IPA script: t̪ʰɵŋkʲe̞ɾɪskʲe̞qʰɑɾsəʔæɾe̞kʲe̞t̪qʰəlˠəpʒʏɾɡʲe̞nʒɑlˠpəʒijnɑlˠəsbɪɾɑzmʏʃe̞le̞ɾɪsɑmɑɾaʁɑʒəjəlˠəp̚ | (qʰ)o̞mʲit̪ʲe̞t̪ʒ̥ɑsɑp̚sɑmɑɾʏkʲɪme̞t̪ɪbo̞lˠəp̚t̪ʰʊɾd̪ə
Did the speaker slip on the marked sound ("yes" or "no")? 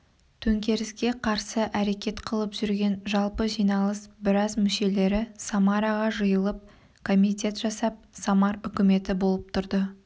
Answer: yes